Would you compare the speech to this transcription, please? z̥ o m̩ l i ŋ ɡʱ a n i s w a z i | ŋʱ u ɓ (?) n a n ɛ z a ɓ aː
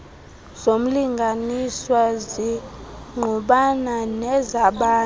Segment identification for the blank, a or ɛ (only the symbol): a